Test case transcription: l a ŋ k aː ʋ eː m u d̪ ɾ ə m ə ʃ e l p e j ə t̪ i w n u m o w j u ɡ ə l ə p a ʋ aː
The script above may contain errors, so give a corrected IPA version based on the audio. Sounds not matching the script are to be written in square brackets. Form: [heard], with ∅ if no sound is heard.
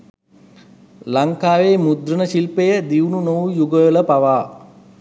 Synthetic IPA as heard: l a ŋ k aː ʋ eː m u d̪ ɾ ə [n] ə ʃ [i] l p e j ə [d̪] i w n u [n] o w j u ɡ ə l ə p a ʋ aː